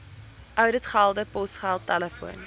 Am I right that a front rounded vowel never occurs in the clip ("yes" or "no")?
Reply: no